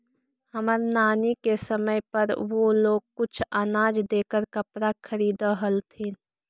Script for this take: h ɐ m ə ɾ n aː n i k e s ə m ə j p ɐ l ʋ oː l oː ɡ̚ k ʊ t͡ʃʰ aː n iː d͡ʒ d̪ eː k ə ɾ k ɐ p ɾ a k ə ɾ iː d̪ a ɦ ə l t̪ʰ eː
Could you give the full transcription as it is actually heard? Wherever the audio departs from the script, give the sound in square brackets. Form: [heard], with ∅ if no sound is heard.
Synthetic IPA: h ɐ m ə ɾ n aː n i k e s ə m ə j p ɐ [ɾ] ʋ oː l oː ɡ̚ k ʊ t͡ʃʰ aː n [aː] d͡ʒ d̪ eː k ə ɾ k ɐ p ɾ a [kʰ] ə ɾ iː d̪ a ɦ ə l t̪ʰ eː